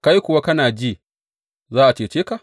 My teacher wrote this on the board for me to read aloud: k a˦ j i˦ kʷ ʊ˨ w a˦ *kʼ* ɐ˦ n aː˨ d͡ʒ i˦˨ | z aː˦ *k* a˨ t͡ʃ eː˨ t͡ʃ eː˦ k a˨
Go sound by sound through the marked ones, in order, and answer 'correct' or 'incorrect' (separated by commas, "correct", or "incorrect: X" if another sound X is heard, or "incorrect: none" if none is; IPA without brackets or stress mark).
incorrect: k, incorrect: ʔ